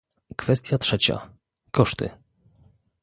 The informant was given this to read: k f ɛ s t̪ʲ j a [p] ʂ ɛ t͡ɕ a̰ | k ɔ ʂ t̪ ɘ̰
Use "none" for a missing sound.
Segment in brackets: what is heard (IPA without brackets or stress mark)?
t